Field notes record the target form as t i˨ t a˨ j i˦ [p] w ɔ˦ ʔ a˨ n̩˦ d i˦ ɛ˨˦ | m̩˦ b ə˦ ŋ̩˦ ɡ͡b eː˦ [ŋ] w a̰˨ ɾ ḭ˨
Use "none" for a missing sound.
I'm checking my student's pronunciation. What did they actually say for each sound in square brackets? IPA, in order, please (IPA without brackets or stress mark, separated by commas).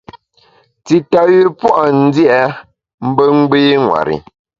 p, ŋ